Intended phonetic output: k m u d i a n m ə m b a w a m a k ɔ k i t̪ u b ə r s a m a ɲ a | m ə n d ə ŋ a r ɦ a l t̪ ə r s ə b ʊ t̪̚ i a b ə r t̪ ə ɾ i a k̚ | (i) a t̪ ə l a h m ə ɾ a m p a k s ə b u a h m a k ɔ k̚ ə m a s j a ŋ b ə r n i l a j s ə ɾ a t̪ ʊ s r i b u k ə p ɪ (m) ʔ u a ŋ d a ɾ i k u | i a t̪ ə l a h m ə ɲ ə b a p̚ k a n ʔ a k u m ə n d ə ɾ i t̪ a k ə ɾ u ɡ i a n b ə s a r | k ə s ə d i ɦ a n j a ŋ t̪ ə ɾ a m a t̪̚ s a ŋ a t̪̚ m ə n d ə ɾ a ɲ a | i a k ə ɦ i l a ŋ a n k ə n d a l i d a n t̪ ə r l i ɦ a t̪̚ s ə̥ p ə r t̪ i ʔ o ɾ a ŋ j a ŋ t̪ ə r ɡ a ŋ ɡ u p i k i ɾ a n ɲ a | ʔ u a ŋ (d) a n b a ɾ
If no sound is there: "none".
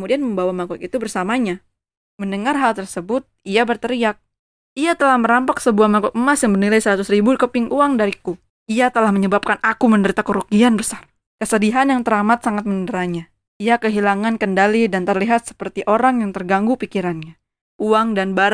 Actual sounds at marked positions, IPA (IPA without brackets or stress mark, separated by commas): i, ŋ, d